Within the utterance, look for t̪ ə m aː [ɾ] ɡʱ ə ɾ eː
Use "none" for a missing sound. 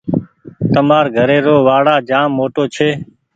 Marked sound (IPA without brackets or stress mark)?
ɾ